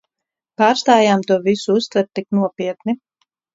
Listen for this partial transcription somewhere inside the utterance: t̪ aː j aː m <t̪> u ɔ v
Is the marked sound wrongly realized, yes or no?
no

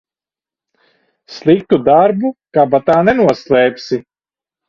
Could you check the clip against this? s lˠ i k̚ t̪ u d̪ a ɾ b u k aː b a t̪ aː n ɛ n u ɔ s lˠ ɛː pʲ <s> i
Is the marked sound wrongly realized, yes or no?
no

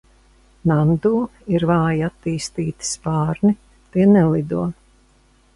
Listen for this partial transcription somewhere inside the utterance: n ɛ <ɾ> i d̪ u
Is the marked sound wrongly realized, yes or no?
yes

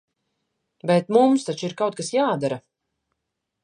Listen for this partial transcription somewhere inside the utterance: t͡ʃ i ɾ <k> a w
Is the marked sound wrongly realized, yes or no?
no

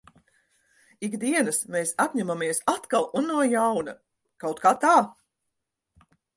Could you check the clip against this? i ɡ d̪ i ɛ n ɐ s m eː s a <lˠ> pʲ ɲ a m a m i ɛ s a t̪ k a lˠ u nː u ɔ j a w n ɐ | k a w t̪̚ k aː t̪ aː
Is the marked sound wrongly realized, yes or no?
yes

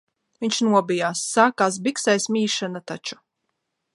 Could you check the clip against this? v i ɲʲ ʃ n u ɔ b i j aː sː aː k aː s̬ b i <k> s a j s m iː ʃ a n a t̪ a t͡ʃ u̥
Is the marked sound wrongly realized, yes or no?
no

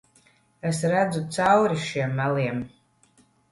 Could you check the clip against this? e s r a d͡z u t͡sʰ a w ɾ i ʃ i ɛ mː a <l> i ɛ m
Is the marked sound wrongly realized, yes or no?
no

